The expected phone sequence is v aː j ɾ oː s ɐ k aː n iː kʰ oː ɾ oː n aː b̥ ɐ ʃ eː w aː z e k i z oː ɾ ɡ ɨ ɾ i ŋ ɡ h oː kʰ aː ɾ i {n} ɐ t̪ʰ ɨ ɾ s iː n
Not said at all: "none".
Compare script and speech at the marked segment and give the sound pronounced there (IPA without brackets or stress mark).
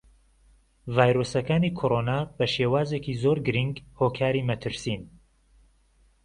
m